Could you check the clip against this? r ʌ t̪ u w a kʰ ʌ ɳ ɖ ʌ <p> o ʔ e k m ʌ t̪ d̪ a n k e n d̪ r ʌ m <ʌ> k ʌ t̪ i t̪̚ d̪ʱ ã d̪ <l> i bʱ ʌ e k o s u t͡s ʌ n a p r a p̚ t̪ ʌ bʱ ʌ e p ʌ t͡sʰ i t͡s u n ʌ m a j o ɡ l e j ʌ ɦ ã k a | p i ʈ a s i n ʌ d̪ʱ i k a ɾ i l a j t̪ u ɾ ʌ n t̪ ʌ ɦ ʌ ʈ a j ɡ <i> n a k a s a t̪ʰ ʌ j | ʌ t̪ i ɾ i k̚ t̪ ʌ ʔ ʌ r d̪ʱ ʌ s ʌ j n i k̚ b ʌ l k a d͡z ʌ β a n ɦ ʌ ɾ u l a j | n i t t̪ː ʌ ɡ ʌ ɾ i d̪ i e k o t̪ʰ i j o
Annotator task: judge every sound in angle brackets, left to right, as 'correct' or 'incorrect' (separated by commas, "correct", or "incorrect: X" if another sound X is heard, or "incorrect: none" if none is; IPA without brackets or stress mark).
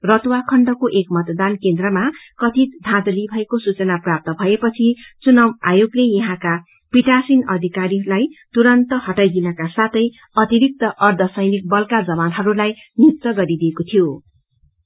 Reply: incorrect: k, incorrect: a, correct, correct